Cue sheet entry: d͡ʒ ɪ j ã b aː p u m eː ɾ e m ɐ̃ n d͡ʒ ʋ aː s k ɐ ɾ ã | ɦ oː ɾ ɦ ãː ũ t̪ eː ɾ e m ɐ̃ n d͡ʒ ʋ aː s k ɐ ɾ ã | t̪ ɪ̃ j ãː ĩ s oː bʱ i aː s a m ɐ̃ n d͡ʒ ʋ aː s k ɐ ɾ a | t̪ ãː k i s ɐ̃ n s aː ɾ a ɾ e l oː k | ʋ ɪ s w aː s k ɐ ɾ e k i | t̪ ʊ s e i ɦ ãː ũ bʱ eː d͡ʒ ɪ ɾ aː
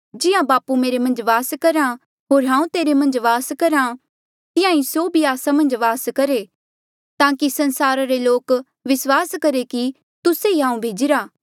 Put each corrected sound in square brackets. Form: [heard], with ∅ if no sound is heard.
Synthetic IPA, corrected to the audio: d͡ʒ ɪ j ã b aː p u m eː ɾ e m ɐ̃ n d͡ʒ ʋ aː s k ɐ ɾ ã | ɦ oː ɾ ɦ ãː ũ t̪ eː ɾ e m ɐ̃ n d͡ʒ ʋ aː s k ɐ ɾ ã | t̪ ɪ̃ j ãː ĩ s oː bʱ i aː s a m ɐ̃ n d͡ʒ ʋ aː s k ɐ ɾ [e] | t̪ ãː k i s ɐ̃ n s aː ɾ a ɾ e l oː k | ʋ ɪ s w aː s k ɐ ɾ e k i | t̪ ʊ s e i ɦ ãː ũ bʱ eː d͡ʒ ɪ ɾ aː